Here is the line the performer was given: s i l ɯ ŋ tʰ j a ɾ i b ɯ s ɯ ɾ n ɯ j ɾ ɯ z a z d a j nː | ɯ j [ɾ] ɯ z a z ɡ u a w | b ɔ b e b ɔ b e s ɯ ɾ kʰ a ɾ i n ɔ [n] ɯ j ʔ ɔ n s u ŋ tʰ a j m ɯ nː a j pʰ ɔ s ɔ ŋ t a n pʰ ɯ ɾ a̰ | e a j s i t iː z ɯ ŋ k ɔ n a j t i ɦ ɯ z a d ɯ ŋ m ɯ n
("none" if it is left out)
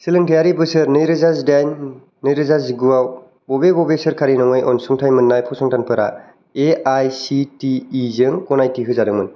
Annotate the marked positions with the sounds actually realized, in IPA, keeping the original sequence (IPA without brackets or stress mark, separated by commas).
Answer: ɾ, ŋ